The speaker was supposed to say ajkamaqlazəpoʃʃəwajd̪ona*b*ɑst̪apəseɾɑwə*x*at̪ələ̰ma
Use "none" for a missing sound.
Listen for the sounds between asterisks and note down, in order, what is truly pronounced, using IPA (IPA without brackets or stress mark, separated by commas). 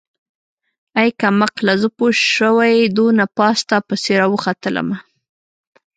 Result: p, x